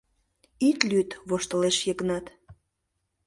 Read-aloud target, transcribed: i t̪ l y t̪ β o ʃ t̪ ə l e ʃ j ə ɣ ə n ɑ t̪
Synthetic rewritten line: i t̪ l y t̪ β o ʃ t̪ ə l e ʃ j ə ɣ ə n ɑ t̪